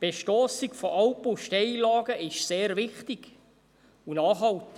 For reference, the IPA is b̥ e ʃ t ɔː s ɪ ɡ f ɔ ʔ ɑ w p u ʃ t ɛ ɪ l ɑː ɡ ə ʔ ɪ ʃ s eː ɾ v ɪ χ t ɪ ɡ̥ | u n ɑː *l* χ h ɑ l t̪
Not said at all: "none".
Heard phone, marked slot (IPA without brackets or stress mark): none